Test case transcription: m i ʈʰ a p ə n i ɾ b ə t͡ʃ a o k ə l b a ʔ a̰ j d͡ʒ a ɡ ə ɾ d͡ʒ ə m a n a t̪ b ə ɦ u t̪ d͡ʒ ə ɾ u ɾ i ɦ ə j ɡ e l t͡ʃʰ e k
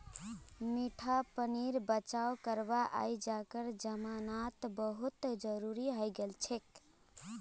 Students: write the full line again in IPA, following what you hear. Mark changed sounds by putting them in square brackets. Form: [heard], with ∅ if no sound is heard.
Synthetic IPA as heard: m i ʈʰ a p ə n i ɾ b ə t͡ʃ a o k ə [ɾ] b a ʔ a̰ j d͡ʒ a [k] ə ɾ d͡ʒ ə m a n a t̪ b ə ɦ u t̪ d͡ʒ ə ɾ u ɾ i ɦ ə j ɡ e l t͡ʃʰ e k